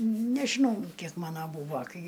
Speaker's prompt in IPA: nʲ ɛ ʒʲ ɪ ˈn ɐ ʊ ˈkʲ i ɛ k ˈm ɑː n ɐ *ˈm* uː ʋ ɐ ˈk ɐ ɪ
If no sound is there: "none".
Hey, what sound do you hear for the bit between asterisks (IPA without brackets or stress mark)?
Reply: b